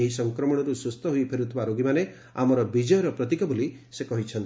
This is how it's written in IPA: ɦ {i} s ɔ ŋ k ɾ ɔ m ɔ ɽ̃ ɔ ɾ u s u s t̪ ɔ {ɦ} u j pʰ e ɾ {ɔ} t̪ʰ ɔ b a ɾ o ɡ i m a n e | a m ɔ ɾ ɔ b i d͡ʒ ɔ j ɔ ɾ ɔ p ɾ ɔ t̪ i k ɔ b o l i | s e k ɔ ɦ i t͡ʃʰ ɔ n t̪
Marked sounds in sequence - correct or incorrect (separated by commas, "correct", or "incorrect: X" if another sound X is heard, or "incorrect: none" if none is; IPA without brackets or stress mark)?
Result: correct, correct, incorrect: u